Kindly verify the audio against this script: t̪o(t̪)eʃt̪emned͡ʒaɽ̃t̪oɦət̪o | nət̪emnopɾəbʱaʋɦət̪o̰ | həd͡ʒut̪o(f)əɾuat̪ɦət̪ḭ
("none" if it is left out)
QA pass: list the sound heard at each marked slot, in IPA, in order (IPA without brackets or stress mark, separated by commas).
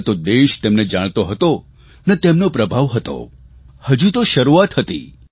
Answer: d̪, ʃ